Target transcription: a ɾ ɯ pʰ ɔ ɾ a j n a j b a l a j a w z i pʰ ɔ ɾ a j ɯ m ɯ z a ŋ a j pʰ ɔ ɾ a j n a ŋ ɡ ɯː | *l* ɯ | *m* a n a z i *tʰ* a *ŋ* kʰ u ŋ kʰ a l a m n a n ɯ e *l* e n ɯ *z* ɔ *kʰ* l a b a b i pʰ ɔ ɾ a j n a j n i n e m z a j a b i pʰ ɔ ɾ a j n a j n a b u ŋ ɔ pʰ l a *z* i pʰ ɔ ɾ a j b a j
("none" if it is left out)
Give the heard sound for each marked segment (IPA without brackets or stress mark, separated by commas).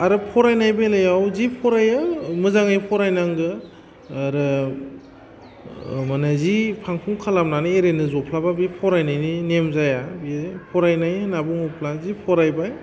ɾ, m, pʰ, ŋ, ɾ, z, pʰ, z